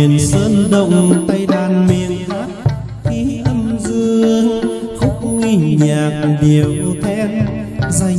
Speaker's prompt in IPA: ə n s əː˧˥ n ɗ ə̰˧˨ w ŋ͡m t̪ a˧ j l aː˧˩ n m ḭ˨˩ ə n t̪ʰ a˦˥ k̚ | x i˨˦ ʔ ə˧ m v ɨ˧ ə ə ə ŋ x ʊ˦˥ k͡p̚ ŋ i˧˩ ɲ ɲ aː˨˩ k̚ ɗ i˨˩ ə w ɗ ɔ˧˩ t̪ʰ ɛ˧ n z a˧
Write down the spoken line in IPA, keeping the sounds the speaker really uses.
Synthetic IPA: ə n s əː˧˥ n ɗ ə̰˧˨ w ŋ͡m t̪ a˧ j l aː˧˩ n m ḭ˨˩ ə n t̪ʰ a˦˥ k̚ | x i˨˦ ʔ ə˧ m z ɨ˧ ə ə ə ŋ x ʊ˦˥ k͡p̚ ŋ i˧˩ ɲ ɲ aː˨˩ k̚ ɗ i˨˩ ə w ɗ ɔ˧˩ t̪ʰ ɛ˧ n z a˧